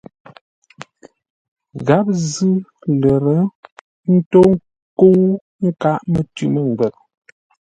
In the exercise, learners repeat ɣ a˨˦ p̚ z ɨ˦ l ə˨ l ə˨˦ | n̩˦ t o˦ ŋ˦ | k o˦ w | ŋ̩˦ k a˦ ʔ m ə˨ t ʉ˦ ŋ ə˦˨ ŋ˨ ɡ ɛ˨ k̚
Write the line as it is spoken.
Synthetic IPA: ɣ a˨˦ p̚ z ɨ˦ l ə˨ ɾ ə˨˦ | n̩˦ t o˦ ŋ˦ | k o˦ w | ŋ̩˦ k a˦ ʔ m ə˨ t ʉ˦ m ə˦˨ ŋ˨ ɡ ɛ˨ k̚